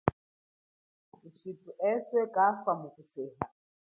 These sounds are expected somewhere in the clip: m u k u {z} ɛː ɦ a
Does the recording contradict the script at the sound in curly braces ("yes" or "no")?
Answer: yes